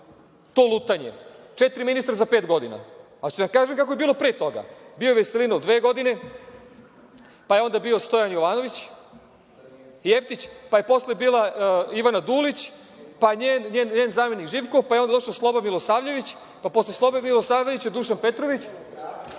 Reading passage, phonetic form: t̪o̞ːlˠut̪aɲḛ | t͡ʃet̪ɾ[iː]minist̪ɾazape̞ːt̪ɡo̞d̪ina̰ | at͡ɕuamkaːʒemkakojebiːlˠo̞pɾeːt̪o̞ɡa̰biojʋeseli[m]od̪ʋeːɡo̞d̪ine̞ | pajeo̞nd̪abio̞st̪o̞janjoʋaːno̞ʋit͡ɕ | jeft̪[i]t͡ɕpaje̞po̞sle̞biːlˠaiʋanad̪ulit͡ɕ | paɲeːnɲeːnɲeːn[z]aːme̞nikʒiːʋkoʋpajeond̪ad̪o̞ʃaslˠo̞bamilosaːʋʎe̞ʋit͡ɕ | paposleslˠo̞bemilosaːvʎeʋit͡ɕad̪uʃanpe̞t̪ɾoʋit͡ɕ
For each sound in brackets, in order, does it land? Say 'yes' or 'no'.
no, no, yes, yes

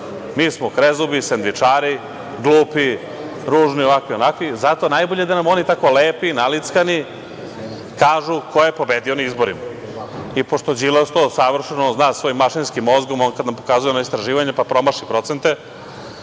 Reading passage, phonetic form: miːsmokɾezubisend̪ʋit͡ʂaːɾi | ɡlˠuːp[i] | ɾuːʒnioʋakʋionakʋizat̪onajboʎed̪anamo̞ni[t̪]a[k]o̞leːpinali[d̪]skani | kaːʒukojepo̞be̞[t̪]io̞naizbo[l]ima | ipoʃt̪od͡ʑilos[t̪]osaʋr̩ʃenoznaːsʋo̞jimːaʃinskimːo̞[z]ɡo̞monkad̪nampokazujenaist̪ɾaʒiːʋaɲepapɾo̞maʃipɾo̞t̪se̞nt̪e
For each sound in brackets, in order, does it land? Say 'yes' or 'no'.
yes, yes, yes, no, no, no, yes, yes

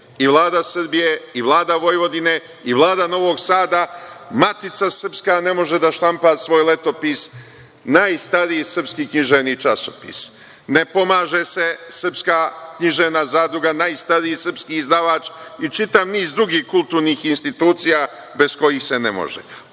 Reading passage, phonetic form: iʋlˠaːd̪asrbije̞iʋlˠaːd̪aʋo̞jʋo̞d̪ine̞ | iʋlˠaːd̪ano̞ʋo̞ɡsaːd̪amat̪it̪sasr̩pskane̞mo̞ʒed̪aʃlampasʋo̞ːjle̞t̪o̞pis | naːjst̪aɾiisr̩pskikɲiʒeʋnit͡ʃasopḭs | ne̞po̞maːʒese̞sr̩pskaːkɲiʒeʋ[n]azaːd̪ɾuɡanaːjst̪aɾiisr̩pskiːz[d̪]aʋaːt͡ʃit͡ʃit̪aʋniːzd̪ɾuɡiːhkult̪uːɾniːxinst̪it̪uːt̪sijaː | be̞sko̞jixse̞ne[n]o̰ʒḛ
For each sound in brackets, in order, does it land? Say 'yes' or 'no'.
yes, yes, no

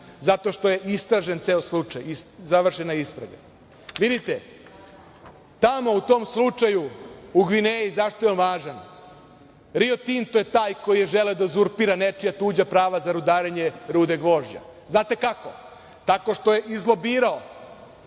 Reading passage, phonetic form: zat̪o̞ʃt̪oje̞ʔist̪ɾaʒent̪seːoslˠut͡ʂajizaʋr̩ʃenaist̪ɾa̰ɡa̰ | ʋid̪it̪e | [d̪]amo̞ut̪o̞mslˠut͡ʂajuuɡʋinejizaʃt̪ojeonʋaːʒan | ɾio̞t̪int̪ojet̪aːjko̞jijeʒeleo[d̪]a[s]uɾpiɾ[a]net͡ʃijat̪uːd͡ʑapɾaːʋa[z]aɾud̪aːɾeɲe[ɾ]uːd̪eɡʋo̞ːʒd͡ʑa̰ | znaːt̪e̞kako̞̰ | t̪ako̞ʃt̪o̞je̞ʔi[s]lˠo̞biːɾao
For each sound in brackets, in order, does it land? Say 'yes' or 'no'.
no, yes, no, yes, yes, yes, no

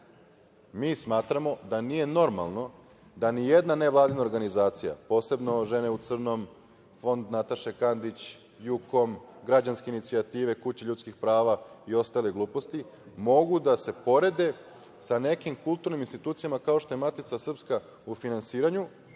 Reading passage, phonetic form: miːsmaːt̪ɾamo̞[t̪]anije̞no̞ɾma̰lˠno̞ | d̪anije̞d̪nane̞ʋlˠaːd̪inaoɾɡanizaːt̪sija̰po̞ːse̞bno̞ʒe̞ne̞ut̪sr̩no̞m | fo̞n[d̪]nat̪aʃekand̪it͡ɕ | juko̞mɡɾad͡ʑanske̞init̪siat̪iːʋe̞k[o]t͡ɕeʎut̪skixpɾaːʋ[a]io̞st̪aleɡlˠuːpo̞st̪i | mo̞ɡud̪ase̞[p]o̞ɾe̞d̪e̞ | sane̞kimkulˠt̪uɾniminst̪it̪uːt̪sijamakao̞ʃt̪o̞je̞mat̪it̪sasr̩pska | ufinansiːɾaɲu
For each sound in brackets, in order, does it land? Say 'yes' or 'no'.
no, yes, no, yes, yes

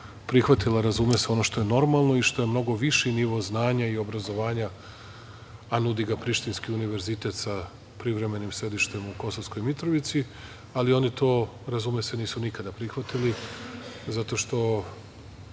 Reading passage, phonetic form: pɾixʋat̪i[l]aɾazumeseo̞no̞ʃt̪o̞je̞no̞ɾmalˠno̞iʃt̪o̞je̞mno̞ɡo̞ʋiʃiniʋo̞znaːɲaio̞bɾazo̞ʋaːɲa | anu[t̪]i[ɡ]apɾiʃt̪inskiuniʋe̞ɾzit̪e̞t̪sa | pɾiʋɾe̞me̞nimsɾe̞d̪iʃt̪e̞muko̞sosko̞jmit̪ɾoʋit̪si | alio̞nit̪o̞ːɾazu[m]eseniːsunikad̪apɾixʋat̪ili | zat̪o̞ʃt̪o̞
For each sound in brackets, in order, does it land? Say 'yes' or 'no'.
yes, no, yes, yes

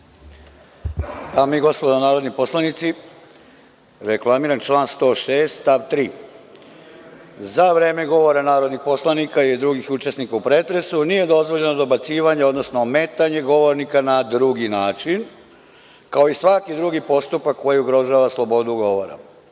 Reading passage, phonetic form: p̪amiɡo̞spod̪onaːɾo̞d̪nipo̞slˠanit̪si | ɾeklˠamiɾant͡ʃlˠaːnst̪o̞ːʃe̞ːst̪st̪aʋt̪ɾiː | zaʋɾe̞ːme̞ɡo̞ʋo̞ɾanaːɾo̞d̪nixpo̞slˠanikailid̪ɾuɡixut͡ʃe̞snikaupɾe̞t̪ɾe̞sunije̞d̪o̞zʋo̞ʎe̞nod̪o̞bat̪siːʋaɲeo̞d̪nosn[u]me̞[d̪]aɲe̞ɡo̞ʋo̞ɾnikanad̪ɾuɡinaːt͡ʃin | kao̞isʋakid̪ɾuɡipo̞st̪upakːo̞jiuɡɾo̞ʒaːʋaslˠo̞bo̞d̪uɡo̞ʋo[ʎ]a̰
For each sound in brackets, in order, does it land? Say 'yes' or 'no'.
no, no, no

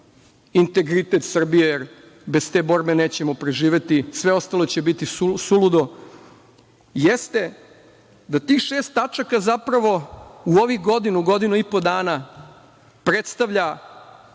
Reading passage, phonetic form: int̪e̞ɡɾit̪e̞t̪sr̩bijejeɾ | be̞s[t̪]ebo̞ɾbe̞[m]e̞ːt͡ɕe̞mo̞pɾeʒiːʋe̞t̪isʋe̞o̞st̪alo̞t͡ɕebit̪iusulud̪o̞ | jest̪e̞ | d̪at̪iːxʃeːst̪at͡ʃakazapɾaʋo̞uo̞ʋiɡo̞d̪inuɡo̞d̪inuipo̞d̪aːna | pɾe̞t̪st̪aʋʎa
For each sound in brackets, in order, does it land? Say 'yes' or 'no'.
yes, no

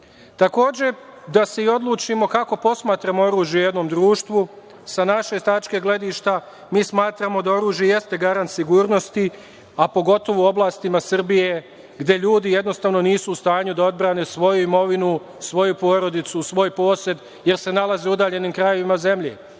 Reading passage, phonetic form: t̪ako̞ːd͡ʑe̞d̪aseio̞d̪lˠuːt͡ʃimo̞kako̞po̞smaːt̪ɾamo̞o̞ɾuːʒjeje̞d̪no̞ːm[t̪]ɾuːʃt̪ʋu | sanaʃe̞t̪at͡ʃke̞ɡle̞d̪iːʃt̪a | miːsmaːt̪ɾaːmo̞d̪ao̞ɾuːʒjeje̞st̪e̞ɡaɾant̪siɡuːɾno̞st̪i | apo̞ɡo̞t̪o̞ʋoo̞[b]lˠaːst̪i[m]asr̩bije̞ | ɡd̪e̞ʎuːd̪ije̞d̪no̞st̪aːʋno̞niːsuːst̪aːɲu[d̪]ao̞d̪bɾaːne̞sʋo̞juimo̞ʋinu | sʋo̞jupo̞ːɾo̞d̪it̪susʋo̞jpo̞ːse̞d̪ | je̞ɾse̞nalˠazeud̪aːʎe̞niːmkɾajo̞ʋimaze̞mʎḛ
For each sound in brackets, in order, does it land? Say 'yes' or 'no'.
no, yes, yes, yes

